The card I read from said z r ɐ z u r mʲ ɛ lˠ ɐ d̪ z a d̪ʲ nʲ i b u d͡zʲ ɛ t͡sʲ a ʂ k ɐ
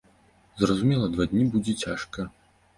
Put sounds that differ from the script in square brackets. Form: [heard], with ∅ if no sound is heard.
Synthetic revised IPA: z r ɐ z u [∅] mʲ ɛ lˠ ɐ d̪ [v] a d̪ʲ nʲ i b u d͡zʲ ɛ t͡sʲ a ʂ k ɐ